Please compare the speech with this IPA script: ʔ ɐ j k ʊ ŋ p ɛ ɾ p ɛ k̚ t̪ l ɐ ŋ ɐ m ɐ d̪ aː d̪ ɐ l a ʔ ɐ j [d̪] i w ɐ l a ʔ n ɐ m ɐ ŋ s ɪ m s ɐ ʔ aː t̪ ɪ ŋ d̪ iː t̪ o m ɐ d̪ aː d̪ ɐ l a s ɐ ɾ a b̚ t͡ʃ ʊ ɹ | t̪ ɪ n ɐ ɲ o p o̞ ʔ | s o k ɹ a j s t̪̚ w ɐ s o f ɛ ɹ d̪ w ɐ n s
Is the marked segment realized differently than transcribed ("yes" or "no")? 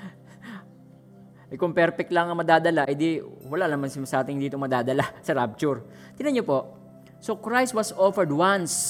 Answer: no